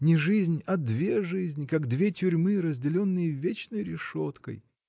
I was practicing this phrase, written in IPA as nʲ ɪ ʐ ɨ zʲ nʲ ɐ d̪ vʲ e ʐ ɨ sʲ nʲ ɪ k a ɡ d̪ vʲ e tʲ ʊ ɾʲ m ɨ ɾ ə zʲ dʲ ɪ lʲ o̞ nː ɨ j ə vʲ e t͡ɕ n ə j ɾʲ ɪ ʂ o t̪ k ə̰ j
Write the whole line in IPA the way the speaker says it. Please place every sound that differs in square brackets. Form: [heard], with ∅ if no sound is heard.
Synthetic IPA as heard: nʲ ɪ ʐ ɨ zʲ nʲ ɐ d̪ vʲ e ʐ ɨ [zʲ] nʲ ɪ k a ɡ d̪ vʲ e tʲ ʊ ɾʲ m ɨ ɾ ə zʲ dʲ ɪ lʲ o̞ nː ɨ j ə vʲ e t͡ɕ n ə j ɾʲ ɪ ʂ o t̪ k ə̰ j